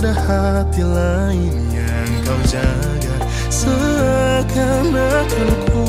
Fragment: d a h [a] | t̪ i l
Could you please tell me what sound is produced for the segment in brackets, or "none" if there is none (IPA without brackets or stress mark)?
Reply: a